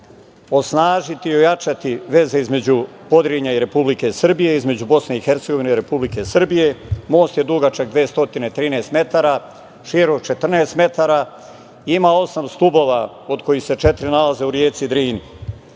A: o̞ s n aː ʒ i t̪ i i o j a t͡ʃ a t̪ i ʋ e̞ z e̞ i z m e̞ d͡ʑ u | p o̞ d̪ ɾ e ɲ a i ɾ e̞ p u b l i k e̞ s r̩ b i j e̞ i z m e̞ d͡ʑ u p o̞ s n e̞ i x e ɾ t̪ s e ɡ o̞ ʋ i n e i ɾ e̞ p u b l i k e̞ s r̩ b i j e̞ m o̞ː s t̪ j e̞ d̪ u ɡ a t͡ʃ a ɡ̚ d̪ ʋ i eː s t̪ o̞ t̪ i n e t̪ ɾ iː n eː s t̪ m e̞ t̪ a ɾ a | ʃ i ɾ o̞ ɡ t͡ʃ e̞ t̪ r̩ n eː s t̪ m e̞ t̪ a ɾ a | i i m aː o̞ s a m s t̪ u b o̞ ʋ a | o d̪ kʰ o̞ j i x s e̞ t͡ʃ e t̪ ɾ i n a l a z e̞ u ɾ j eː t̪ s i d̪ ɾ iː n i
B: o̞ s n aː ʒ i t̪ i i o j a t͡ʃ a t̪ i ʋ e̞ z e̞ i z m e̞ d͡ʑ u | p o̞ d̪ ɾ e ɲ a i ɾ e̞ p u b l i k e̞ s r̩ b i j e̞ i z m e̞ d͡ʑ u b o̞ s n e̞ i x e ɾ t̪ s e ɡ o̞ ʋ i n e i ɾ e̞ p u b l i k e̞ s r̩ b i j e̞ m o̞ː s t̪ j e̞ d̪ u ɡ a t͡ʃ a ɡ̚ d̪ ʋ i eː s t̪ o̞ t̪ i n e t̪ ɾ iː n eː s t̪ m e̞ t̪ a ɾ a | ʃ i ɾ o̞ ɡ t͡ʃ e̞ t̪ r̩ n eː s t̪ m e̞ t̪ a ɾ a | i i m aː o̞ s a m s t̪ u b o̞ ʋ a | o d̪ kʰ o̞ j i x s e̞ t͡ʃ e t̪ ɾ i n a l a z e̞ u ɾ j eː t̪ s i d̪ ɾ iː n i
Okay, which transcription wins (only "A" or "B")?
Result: B